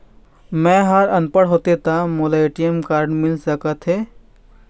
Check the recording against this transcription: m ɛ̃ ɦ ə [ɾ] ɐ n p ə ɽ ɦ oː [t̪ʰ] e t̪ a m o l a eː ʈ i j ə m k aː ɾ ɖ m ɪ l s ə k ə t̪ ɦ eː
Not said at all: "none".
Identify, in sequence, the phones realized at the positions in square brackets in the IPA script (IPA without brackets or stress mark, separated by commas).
ɾ, t̪